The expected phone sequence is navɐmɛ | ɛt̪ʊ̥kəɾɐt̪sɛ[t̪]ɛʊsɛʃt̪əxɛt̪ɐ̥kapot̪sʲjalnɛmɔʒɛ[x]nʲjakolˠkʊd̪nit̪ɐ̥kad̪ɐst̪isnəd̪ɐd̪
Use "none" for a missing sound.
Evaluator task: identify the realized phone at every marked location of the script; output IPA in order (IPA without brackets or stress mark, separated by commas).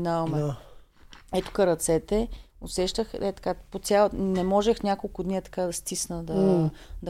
t̪, x